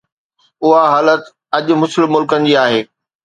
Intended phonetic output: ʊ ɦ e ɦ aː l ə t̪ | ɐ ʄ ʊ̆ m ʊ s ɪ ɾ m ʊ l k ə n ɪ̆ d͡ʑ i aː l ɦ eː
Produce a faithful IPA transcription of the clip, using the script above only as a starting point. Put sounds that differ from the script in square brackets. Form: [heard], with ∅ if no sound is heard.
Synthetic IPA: ʊ ɦ [a] ɦ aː l ə t̪ | ɐ ʄ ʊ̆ m ʊ s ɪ [l] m ʊ l k ə n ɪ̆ d͡ʑ i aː [∅] ɦ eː